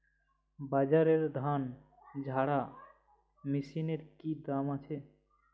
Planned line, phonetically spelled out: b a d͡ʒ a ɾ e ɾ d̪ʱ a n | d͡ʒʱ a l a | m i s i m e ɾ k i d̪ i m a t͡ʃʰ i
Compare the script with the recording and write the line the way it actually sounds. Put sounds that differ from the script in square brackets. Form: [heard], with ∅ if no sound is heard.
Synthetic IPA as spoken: b a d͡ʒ a ɾ e ɾ d̪ʱ a n | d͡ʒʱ a [ɽ] a | m i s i [n] e ɾ k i d̪ [a] m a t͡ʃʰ [e]